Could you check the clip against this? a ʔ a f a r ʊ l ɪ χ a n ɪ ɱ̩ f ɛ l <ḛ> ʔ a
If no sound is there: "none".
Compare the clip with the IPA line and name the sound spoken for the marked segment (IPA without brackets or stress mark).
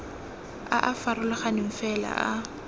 a̰